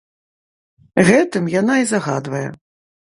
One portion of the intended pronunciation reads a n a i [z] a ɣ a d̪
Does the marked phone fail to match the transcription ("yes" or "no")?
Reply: no